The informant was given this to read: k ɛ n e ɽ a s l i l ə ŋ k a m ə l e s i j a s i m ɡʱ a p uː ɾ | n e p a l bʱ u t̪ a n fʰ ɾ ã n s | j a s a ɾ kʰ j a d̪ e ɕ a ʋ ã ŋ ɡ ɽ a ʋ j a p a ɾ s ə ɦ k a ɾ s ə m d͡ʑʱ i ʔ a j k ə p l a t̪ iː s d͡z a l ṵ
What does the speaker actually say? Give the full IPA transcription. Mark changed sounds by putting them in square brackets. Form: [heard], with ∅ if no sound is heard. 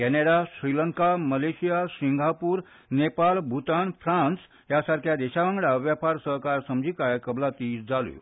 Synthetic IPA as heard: k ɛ n e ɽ a s [ɾ] i l ə ŋ k a m ə l e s i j a s i [ŋ] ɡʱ a p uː ɾ | n e p a l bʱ u t̪ a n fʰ ɾ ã n s | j a s a ɾ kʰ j a d̪ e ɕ a ʋ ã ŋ ɡ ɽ a ʋ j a p a ɾ s ə ɦ k a ɾ s ə m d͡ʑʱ i [k] a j k ə [b] l a t̪ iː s d͡z a l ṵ